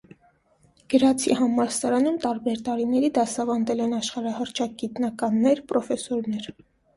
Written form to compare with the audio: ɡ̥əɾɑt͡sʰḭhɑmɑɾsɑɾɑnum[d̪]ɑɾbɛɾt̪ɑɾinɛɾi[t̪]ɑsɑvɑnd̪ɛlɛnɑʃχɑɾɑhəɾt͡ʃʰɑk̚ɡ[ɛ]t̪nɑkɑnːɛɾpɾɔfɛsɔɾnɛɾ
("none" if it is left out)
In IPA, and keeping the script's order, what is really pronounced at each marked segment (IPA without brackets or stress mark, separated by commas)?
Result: t̪, d̪, i